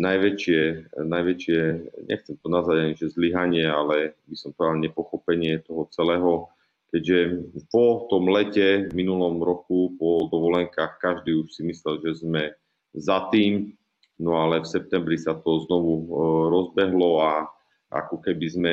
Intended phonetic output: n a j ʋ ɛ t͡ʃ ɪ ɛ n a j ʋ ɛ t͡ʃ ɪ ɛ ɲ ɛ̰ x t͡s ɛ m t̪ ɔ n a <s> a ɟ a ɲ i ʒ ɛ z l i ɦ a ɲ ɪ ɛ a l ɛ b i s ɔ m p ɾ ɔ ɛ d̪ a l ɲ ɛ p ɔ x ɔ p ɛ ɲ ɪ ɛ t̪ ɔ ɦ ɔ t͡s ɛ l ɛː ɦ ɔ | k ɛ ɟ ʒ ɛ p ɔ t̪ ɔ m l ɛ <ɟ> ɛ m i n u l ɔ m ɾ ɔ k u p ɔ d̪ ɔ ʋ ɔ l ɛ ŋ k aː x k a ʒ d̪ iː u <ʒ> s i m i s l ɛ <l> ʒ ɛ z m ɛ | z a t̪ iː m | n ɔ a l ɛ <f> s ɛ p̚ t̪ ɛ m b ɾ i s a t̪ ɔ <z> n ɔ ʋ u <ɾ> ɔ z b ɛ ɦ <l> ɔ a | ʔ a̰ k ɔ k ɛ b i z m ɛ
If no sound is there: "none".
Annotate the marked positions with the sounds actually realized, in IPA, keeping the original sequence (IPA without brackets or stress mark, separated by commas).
z, c, ʃ, l, f, z, ɾ, l